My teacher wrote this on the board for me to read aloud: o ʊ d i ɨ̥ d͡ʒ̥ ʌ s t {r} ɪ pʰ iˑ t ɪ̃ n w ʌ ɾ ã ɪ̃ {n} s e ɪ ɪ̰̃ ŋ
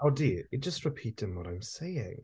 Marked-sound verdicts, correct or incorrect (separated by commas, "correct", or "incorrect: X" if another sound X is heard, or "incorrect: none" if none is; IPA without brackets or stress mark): incorrect: ɹ, incorrect: m